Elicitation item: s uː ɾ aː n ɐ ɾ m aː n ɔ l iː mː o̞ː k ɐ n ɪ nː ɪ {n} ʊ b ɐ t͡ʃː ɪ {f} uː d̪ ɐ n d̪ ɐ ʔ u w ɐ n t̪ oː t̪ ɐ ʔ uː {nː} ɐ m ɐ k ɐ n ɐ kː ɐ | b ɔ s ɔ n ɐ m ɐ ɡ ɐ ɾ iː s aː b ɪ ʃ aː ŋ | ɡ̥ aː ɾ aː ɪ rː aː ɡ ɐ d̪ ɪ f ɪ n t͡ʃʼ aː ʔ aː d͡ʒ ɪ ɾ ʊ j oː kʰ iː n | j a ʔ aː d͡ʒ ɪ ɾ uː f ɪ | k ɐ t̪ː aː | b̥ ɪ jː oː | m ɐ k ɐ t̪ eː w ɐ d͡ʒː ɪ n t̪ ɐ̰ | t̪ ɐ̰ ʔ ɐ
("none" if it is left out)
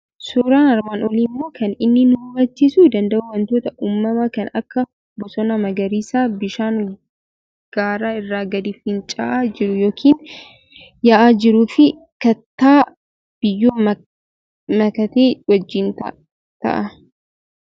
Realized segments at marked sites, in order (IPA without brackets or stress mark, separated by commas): n, s, mː